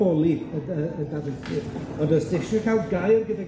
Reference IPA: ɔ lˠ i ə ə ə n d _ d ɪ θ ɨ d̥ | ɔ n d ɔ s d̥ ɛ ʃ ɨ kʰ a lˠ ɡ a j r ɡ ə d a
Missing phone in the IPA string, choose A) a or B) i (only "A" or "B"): A